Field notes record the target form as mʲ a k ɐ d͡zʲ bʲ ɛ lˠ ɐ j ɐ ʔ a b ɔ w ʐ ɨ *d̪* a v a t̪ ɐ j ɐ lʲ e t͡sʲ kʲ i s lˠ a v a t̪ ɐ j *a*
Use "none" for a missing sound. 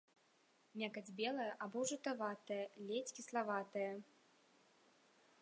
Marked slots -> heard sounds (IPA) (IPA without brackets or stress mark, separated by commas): t̪, ɐ